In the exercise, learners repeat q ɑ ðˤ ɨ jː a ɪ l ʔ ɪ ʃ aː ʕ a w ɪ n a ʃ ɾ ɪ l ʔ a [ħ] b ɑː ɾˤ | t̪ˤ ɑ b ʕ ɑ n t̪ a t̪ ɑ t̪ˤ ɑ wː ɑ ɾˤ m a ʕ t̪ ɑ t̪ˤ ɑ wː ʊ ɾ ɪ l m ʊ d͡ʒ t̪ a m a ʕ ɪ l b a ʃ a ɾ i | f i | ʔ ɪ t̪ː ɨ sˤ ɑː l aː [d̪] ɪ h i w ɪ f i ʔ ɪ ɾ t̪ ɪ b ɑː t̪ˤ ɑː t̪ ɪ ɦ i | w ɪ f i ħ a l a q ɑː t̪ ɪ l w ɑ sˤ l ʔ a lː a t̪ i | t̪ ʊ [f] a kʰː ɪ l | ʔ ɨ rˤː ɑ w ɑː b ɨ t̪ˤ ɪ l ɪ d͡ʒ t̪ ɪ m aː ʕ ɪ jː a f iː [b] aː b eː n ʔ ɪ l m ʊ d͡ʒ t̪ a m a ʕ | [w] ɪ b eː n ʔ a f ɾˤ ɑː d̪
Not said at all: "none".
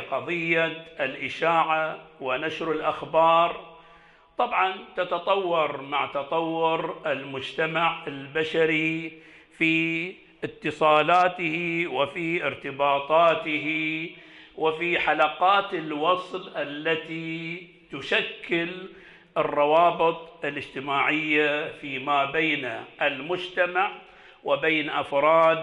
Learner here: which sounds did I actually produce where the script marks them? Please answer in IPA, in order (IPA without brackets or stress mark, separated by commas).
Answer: x, t̪, ʃ, m, w